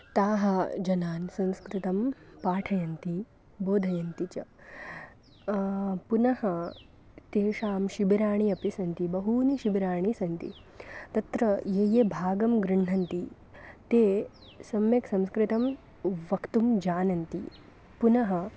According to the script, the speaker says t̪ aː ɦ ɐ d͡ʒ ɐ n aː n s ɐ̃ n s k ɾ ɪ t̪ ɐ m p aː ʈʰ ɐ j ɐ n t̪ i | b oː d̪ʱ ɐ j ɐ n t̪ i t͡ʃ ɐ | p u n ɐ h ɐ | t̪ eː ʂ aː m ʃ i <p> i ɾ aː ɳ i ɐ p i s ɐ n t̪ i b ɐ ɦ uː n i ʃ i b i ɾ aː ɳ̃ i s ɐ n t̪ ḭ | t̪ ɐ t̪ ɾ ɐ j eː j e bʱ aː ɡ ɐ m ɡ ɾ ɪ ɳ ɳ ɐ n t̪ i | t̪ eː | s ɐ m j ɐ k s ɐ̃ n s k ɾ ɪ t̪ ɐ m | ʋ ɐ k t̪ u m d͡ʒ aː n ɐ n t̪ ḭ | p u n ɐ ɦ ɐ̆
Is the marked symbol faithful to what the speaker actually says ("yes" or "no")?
no